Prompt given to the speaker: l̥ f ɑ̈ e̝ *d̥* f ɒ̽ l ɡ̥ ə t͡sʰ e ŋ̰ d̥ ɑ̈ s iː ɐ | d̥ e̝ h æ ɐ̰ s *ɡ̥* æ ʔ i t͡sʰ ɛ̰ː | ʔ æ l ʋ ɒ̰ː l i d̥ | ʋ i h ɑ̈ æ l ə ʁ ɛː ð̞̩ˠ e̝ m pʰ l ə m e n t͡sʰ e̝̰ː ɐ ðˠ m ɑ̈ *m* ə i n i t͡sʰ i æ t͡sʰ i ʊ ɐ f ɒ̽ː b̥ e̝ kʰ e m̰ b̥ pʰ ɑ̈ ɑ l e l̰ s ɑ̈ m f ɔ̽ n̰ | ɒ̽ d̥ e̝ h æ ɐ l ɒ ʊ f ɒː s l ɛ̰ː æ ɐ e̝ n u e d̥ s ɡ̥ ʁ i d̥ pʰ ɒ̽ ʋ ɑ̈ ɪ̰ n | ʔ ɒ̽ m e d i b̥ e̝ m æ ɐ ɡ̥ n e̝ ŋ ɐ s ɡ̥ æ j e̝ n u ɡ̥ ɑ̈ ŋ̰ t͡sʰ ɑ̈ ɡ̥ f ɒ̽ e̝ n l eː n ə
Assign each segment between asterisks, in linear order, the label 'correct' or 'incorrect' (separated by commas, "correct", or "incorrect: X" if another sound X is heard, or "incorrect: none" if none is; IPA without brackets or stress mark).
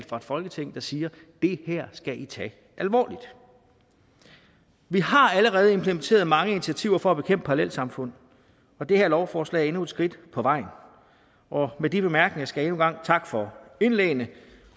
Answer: correct, correct, incorrect: ŋ